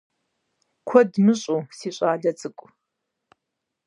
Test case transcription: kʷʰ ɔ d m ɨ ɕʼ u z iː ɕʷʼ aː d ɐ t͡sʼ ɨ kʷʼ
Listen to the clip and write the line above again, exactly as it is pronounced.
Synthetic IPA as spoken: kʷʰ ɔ d m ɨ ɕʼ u s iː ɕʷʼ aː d ɐ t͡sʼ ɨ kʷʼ